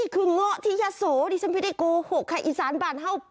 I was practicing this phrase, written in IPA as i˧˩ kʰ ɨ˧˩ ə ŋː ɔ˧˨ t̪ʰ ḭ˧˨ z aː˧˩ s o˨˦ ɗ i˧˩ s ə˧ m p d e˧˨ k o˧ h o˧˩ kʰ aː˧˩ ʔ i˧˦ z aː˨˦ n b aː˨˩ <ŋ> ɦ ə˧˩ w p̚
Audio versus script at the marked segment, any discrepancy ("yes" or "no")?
yes